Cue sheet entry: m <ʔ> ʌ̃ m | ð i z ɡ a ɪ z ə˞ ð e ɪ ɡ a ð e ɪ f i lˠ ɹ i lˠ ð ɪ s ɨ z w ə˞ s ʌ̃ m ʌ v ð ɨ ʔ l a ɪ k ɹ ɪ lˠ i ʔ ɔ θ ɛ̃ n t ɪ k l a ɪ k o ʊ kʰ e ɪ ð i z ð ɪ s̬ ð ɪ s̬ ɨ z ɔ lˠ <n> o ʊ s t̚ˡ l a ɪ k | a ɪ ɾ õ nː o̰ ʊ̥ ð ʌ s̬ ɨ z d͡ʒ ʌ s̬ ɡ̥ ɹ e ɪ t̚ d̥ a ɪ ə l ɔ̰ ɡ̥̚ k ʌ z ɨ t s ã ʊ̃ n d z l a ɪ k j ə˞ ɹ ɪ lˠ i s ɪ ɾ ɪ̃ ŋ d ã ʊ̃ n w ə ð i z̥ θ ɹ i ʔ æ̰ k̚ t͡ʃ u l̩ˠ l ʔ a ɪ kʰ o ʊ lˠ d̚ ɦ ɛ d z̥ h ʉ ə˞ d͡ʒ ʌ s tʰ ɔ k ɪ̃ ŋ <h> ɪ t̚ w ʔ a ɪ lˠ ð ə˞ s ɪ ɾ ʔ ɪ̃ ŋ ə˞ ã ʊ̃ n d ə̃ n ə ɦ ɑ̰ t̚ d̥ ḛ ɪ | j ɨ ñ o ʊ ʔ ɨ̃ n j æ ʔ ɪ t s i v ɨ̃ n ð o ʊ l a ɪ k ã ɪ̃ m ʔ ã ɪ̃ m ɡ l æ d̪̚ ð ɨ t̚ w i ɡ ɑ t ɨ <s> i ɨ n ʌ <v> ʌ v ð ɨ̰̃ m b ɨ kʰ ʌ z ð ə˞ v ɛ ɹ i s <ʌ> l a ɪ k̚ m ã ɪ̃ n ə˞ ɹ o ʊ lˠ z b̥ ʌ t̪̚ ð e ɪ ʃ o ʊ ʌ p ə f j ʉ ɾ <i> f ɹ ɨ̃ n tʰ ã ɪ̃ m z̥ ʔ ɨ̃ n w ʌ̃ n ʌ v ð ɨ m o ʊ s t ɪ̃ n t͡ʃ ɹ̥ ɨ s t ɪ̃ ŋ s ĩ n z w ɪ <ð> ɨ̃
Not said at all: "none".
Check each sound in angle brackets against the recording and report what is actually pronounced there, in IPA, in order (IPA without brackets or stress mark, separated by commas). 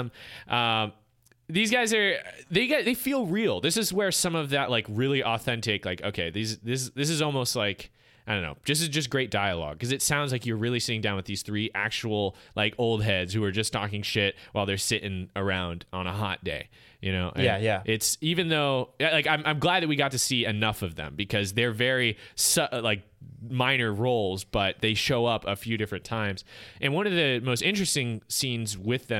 ʔ, m, ʃ, s, f, ʌ, ɪ, ð